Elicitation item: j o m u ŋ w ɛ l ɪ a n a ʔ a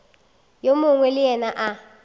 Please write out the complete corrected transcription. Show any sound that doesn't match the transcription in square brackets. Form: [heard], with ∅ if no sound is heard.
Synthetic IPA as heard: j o m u ŋ w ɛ l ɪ [ɛ] n a ʔ a